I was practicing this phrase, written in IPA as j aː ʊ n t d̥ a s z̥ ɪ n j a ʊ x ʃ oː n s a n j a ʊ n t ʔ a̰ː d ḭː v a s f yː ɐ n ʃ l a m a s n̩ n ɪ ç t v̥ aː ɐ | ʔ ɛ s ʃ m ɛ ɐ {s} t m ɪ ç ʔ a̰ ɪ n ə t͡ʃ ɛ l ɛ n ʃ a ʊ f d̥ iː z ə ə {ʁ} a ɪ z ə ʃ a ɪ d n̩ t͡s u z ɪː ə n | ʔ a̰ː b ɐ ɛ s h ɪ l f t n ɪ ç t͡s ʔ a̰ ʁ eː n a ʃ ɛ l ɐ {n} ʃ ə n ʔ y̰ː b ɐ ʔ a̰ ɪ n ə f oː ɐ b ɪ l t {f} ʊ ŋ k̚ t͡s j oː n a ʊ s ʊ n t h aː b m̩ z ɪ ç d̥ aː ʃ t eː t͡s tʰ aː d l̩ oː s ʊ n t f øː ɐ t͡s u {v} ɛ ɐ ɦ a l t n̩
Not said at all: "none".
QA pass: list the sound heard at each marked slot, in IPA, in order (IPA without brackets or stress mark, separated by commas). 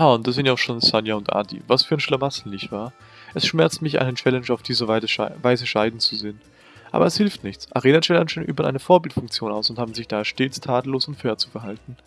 t͡s, v, n, f, f